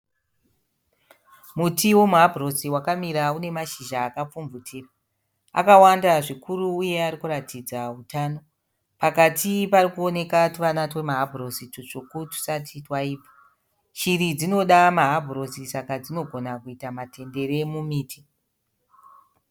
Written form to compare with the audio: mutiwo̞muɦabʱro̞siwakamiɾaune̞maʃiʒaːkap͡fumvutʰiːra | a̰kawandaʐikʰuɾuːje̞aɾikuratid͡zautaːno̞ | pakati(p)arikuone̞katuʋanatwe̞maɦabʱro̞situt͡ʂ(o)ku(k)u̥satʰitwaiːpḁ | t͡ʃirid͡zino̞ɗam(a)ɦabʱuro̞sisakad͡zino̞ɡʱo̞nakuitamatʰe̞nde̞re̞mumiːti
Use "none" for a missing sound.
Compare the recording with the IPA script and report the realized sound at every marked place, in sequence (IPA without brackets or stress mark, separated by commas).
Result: p, o, t, a